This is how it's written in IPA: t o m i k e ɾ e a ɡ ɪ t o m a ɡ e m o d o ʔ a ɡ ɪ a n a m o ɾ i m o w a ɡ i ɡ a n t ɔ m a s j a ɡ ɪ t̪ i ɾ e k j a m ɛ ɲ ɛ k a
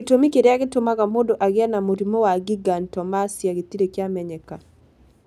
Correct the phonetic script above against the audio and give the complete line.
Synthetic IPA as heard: t o m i k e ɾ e a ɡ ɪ t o m a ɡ a m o d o ʔ a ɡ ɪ a n a m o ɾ i m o w a ɡ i ɡ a n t ɔ m a s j a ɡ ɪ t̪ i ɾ e k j a m ɛ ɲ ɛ k a